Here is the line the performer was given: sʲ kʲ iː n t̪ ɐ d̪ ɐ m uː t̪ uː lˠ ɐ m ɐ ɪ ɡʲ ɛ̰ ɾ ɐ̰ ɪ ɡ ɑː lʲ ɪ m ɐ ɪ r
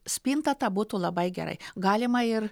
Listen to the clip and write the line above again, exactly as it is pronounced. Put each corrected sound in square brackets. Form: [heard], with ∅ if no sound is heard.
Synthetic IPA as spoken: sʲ [pʲ] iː n t̪ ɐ [t̪] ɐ [b] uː t̪ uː lˠ ɐ [b] ɐ ɪ ɡʲ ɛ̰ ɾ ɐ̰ ɪ ɡ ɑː lʲ ɪ m ɐ ɪ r

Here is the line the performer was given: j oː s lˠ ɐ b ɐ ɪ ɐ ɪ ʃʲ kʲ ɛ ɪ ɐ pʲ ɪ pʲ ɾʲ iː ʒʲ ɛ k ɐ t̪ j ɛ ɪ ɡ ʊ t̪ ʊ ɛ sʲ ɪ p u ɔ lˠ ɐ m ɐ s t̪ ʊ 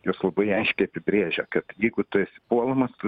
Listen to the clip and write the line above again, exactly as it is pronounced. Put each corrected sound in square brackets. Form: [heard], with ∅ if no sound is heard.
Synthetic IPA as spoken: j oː s lˠ ɐ b ɐ ɪ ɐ ɪ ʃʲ kʲ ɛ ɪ ɐ pʲ ɪ [bʲ] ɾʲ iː ʒʲ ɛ k ɐ t̪ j ɛ ɪ ɡ ʊ t̪ ʊ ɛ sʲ ɪ p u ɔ lˠ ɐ m ɐ s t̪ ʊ

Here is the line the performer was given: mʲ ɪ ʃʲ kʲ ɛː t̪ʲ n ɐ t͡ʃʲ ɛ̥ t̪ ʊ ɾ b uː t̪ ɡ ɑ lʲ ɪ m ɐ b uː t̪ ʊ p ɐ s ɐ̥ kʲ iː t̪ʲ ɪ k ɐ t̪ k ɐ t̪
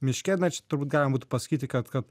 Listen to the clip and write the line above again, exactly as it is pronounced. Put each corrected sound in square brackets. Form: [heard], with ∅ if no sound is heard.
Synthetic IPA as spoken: mʲ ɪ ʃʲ kʲ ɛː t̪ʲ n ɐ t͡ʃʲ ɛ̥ t̪ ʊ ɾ b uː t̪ ɡ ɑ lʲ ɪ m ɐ b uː t̪ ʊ p ɐ s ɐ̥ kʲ iː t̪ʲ ɪ k ɐ t̪ k ɐ t̪

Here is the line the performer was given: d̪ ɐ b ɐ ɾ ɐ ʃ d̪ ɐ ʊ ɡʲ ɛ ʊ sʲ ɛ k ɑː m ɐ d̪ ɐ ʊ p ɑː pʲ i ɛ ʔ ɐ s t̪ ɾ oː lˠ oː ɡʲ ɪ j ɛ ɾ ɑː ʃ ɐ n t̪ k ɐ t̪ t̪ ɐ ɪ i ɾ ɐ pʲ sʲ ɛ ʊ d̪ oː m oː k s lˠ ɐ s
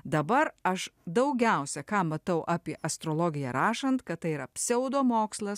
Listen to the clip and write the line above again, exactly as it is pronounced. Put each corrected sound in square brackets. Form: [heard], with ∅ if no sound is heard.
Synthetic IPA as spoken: d̪ ɐ b ɐ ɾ ɐ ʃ d̪ ɐ ʊ ɡʲ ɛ ʊ sʲ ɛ k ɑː m ɐ [t̪] ɐ ʊ [ʔ] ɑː pʲ i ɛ ʔ ɐ s t̪ ɾ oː lˠ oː ɡʲ ɪ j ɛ ɾ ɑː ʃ ɐ n t̪ k ɐ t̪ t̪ ɐ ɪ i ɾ ɐ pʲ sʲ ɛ ʊ d̪ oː m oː k s lˠ ɐ s

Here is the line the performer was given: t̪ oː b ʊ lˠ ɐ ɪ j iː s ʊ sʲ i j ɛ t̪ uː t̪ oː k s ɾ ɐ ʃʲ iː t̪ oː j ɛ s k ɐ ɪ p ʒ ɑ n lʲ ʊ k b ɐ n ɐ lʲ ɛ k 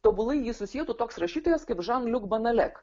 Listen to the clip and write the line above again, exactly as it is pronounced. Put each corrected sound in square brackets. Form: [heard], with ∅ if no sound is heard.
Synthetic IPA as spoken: t̪ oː b ʊ lˠ ɐ ɪ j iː s ʊ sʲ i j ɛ t̪ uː t̪ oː k s ɾ ɐ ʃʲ iː t̪ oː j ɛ s k ɐ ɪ p ʒ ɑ n lʲ ʊ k b ɐ n ɐ lʲ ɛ k

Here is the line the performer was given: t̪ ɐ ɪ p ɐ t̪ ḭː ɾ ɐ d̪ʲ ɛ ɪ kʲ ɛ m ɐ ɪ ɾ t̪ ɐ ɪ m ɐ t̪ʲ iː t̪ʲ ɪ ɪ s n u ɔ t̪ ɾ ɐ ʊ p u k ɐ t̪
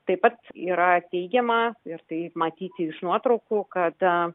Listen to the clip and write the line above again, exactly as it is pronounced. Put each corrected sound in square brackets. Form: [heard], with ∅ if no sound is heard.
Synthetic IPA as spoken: t̪ ɐ ɪ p ɐ t̪ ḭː ɾ ɐ [t̪ʲ] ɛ ɪ [ɡʲ] ɛ m ɐ ɪ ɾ t̪ ɐ ɪ m ɐ t̪ʲ iː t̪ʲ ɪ ɪ [ʃ] n u ɔ t̪ ɾ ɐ ʊ [k] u k ɐ t̪

